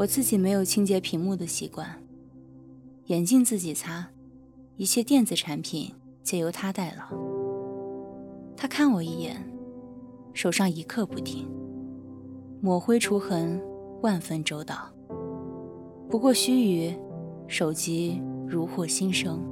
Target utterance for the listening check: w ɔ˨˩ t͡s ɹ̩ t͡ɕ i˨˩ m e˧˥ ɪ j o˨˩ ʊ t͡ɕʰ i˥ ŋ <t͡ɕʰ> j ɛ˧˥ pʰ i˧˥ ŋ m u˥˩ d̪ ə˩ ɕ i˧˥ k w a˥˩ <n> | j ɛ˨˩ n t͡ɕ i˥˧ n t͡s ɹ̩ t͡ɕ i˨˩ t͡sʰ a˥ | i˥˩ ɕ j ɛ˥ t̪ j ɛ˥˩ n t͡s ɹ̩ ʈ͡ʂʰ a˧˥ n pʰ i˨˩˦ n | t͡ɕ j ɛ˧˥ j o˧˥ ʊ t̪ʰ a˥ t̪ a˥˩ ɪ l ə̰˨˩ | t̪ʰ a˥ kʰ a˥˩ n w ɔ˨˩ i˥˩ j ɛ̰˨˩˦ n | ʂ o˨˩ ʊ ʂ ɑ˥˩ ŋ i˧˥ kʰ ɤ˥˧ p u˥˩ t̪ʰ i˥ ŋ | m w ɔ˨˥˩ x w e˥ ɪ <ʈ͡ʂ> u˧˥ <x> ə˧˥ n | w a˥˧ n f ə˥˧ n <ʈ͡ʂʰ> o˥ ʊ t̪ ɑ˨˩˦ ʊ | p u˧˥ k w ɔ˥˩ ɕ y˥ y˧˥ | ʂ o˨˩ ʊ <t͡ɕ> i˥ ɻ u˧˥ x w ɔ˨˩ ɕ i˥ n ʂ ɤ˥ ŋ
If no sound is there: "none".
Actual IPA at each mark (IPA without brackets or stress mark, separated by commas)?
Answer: t͡ɕ, n, ʈ͡ʂʰ, x, ʈ͡ʂ, t͡ɕ